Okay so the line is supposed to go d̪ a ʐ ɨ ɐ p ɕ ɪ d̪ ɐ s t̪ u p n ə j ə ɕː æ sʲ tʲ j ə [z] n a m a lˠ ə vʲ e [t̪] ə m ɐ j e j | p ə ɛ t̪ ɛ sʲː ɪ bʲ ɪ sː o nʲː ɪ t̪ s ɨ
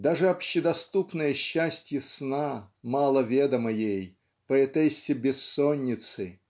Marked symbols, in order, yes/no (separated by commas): no, no